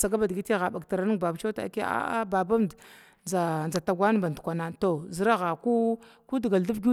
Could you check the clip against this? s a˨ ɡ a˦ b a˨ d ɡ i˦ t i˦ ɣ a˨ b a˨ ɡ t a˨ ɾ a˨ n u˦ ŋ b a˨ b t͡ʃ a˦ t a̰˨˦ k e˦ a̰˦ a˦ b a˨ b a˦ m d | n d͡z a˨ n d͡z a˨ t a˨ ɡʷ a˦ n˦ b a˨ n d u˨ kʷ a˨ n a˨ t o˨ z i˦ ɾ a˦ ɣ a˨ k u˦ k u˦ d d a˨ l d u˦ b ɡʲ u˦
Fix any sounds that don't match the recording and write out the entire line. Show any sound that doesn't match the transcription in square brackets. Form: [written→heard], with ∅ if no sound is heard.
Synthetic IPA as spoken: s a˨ ɡ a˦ b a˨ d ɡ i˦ t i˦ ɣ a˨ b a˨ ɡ t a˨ ɾ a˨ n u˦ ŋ b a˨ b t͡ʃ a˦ t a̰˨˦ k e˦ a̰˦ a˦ b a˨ b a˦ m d | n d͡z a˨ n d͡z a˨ t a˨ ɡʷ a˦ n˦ b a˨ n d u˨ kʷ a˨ n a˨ t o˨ z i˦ ɾ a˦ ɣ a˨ k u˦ k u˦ d [d→ɡ] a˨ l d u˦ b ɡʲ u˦